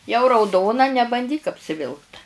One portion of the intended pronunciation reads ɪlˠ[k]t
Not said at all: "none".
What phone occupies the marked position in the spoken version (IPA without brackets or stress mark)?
k